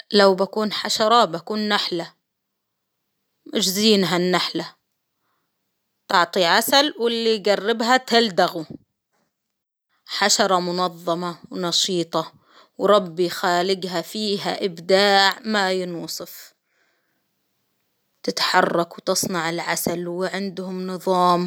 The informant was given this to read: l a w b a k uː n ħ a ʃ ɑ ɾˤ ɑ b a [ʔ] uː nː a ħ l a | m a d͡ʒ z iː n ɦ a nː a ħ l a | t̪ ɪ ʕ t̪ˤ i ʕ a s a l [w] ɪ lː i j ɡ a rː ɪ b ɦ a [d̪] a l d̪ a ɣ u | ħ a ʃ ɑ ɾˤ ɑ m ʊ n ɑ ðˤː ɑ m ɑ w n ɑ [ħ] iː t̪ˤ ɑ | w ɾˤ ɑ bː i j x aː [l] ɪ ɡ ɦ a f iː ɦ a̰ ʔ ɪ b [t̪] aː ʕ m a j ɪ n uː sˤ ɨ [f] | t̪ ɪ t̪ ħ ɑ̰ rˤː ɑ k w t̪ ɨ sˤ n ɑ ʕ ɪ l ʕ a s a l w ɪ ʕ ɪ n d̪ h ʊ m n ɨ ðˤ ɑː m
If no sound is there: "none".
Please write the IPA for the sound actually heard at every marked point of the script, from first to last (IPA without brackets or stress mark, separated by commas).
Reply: k, w, t̪, ʃ, l, d̪, f